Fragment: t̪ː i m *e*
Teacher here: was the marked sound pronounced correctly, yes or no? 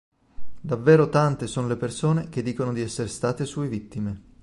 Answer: yes